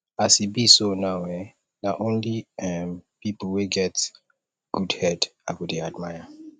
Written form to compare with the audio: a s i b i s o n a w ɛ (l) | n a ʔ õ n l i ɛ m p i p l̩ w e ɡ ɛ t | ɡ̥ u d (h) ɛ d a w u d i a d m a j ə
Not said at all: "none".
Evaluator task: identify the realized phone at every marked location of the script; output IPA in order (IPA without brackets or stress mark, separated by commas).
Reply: none, h